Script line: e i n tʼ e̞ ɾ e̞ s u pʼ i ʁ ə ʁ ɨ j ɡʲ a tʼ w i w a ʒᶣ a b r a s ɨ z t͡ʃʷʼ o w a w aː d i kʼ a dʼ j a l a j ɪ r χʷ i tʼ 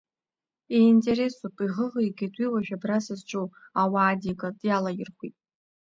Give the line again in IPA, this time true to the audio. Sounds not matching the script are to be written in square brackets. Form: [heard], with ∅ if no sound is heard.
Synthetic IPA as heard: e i n tʼ e̞ ɾ e̞ s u pʼ i ʁ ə ʁ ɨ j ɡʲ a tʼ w i w a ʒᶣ a b r a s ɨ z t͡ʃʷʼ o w a w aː d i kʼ a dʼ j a l a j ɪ r χʷ i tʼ